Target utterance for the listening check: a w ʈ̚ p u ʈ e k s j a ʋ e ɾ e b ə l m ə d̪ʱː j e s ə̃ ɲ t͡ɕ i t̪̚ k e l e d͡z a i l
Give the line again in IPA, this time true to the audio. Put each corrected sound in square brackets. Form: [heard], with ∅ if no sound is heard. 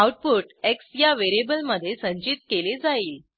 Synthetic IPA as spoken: a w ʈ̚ p u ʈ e k s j a ʋ e ɾ e b ə l m ə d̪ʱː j e s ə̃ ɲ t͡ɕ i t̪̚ k e l e d͡z a [iː] l

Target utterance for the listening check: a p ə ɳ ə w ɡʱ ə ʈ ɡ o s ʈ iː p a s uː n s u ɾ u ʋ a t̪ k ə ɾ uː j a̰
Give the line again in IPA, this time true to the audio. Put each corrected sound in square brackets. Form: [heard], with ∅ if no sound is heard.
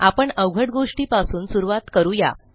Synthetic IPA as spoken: a p ə ɳ ə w ɡʱ ə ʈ ɡ o [ʂ] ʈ iː p a s uː n s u ɾ u ʋ a t̪ k ə ɾ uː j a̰

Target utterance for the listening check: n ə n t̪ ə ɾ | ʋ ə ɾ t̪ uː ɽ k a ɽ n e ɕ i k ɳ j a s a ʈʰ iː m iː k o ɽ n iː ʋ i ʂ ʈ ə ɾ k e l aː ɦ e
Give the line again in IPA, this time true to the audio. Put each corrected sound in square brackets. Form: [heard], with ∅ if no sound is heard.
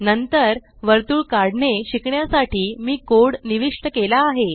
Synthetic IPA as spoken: n ə n t̪ ə ɾ | ʋ ə ɾ t̪ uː [ɭ] k a ɽ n e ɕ i k ɳ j a s a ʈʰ iː m iː k o ɽ n [i] ʋ i ʂ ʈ ə [∅] k e l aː ɦ e

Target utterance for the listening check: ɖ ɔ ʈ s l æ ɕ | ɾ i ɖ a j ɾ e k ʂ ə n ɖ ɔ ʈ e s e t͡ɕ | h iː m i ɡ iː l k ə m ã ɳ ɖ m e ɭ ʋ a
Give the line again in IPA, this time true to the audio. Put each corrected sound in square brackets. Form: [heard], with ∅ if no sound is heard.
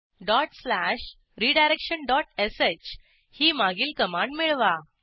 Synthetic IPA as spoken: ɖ ɔ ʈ s l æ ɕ | ɾ i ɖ a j ɾ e k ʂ ə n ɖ ɔ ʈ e s e t͡ɕ | h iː m [a] ɡ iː l k ə m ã ɳ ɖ m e ɭ ʋ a

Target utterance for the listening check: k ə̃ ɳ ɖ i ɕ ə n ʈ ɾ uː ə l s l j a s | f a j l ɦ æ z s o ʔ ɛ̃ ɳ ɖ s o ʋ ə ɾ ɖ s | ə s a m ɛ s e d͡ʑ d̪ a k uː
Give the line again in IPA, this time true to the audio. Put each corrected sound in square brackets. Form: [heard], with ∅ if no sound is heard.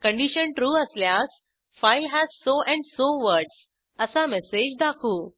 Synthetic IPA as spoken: k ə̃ ɳ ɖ i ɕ ə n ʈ ɾ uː ə [∅] s l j a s | f a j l ɦ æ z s o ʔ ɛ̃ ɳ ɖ s o ʋ ə ɾ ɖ s | ə s a m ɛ s e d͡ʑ d̪ a [kʰ] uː

